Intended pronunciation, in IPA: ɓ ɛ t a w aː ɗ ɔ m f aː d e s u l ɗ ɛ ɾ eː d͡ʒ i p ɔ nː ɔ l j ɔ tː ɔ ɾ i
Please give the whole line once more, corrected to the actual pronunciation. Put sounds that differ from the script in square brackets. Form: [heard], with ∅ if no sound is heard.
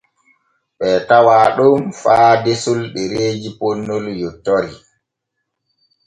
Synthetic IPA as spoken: ɓ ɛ t a w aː ɗ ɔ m f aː d e s u l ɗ ɛ ɾ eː d͡ʒ i p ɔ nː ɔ l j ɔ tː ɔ ɾ i